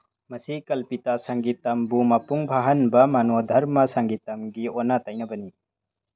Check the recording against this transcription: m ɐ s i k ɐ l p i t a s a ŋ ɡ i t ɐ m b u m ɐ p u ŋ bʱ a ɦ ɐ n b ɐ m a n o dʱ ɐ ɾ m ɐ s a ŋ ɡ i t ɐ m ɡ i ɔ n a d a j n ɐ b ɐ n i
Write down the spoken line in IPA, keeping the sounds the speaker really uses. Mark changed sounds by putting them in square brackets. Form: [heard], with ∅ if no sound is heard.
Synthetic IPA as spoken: m ɐ s i k ɐ l p i t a s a ŋ ɡ i t ɐ m b u m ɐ p u ŋ bʱ a ɦ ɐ n b ɐ m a n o dʱ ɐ ɾ m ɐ s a ŋ ɡ i t ɐ m ɡ i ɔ n a [t] a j n ɐ b ɐ n i